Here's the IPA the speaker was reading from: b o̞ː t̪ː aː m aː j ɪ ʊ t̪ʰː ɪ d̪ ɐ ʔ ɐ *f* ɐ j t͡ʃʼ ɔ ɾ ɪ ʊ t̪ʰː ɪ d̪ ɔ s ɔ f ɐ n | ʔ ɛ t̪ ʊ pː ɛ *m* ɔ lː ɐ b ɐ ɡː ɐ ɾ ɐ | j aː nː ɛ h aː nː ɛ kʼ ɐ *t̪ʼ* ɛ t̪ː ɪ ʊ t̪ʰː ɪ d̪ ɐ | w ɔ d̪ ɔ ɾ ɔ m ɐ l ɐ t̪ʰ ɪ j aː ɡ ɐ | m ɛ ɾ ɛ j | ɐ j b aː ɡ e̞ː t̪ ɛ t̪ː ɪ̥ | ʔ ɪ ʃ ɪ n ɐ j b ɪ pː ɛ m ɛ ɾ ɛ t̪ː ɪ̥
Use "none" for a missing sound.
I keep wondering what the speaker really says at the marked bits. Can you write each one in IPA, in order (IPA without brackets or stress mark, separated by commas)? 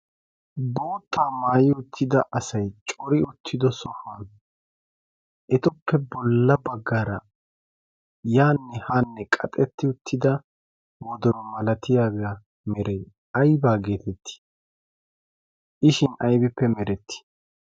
s, b, t̪ʼ